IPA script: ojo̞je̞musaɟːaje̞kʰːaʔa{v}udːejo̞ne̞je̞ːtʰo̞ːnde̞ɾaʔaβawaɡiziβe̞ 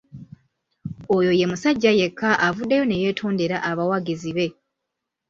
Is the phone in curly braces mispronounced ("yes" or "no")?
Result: no